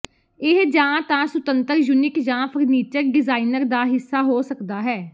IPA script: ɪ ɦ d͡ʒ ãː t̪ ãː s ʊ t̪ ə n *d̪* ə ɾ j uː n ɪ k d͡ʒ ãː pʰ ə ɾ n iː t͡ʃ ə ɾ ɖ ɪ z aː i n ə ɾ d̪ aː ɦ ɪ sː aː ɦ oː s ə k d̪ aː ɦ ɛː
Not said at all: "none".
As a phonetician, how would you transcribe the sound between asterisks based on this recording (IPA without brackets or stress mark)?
t̪